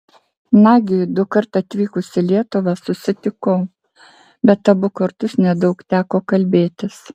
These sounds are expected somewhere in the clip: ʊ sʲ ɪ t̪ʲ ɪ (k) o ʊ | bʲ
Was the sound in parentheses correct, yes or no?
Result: yes